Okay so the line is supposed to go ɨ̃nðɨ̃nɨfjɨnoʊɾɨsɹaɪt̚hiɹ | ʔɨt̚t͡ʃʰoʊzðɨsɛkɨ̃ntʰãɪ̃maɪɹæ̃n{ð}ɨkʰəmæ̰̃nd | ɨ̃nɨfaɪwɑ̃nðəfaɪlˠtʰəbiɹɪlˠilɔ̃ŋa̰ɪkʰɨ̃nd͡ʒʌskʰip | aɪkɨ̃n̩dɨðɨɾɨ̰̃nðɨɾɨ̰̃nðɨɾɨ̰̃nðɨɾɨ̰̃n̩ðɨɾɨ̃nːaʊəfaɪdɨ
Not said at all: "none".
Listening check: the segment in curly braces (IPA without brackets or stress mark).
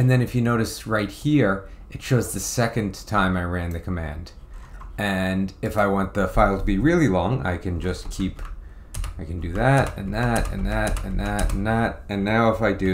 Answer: ð